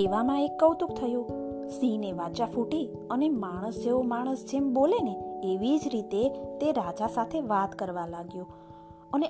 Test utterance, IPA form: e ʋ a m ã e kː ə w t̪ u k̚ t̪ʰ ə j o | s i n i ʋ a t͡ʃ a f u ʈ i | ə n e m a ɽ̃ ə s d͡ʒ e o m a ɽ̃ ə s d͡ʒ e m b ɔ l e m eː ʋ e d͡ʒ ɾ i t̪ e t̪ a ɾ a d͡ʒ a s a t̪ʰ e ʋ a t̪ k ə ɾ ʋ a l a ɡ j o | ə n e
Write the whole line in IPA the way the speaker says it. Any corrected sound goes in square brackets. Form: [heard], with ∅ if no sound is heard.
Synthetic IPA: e ʋ a m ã e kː ə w t̪ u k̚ t̪ʰ ə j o | s i n [e] ʋ a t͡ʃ a f u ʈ i | ə n e m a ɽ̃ ə s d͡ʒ e o m a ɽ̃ ə s d͡ʒ e m b [o] l e [n] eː ʋ [i] d͡ʒ ɾ i t̪ e t̪ [e] ɾ a d͡ʒ a s a t̪ʰ e ʋ a t̪ k ə ɾ ʋ a l a ɡ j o | ə n e